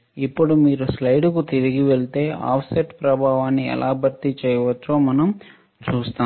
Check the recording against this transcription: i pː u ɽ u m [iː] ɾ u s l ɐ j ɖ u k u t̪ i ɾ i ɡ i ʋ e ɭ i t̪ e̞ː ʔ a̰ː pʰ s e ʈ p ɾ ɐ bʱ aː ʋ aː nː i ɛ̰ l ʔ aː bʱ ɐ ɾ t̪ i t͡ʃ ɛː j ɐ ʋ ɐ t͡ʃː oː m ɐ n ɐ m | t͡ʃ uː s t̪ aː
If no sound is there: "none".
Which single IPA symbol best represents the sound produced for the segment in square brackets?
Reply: iː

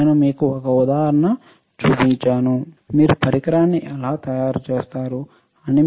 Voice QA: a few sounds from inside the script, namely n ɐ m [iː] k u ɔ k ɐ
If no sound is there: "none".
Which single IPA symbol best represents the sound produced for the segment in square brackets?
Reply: iː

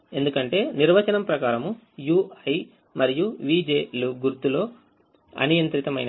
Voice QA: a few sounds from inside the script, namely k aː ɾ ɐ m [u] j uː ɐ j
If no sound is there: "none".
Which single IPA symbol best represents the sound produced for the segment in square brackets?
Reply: u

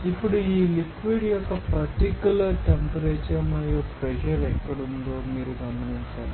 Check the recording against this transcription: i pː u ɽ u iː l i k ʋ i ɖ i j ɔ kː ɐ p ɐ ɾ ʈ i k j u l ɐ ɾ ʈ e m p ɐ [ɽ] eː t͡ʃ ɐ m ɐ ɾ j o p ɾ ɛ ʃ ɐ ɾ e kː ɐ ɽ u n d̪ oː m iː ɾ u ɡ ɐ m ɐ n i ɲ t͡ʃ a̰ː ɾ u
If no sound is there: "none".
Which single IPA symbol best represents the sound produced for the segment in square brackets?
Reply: ɾ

